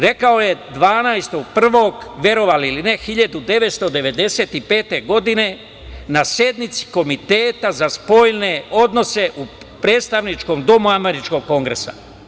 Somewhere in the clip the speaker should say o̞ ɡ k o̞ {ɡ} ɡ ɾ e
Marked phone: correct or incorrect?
incorrect